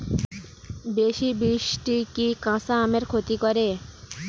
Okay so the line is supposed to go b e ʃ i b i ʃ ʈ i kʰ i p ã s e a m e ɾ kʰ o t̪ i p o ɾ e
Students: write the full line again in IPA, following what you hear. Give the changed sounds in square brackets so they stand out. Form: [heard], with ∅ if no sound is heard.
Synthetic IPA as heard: b e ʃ i b i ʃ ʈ i [k] i [k] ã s [a] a m e ɾ kʰ o t̪ i [k] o ɾ e